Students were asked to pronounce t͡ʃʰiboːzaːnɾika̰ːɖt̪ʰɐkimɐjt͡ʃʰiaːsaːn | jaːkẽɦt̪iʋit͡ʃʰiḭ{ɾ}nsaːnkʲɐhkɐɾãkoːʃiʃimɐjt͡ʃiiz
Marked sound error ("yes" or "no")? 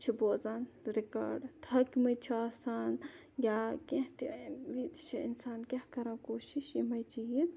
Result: yes